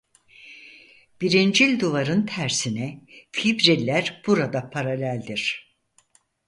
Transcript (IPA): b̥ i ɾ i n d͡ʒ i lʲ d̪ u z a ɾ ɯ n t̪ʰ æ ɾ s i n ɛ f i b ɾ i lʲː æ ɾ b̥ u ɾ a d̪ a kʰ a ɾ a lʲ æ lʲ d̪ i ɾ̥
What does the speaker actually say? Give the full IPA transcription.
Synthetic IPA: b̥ i ɾ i n d͡ʒ i lʲ d̪ u v a ɾ ɯ n t̪ʰ æ ɾ s i n ɛ f i b ɾ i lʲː æ ɾ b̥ u ɾ a d̪ a pʰ a ɾ a lʲ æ lʲ d̪ i ɾ̥